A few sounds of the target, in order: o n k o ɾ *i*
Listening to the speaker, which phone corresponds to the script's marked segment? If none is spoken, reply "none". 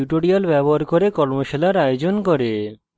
e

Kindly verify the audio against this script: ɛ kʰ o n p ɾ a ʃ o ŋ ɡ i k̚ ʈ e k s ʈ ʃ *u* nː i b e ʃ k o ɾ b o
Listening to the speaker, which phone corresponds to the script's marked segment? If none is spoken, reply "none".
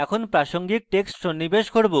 o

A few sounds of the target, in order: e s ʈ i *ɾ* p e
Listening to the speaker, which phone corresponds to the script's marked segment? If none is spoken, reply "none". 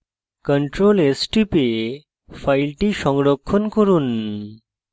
none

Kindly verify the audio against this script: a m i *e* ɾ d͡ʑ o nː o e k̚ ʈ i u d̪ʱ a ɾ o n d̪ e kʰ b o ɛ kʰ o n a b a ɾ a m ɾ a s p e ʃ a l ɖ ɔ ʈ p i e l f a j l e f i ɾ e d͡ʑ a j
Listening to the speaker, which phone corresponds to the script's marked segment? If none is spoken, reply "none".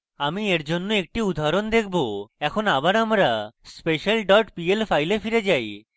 e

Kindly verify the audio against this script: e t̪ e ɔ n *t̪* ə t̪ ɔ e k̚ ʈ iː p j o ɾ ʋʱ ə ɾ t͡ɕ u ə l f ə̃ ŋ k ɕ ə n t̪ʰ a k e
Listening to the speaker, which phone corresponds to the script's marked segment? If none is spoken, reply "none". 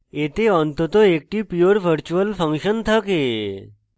t̪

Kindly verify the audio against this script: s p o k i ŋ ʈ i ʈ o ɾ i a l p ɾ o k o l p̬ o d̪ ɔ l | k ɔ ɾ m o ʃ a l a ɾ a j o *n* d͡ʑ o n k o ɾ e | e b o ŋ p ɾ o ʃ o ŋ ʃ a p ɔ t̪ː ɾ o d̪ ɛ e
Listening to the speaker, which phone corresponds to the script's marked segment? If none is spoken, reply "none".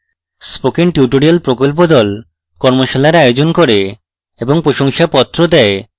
none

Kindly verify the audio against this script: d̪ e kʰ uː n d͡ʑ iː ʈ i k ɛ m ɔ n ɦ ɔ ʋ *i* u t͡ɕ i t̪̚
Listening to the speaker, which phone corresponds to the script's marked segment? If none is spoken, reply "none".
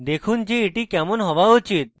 a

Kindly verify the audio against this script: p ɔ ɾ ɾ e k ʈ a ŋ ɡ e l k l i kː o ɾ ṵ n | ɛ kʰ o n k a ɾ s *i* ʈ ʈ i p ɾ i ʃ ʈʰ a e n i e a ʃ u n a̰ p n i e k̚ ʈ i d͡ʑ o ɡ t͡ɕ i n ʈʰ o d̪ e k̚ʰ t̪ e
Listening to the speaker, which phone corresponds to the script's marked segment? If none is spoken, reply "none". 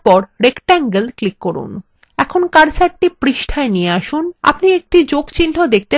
a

